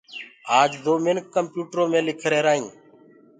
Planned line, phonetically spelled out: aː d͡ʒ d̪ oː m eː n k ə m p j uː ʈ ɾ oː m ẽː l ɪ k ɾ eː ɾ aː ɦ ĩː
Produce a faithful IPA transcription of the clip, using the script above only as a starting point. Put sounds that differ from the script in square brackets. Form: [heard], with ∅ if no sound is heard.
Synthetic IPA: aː d͡ʒ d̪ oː m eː n k ə m p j uː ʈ ɾ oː m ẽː l ɪ [kʰ] ɾ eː ɾ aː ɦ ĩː